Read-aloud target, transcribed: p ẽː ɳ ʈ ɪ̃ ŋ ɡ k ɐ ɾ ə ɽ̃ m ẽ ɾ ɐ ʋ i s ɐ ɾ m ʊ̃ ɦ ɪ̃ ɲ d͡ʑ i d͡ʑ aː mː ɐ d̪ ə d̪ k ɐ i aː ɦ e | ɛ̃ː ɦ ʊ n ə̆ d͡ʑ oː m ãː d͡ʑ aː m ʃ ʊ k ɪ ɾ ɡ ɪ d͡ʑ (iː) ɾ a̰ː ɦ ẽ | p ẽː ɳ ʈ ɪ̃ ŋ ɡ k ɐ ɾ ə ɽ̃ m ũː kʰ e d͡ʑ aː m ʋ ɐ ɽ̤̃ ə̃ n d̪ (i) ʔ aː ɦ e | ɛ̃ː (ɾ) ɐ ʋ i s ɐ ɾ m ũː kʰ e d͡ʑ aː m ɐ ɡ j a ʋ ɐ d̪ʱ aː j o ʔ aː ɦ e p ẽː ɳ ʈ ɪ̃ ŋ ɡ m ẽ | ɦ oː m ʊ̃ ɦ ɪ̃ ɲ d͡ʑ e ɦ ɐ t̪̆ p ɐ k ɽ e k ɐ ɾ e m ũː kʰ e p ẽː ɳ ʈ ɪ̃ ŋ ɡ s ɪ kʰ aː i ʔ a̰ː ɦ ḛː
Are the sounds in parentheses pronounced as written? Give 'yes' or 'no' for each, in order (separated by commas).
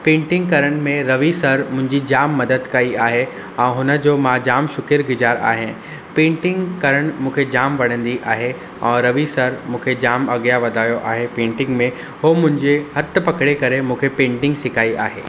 no, yes, yes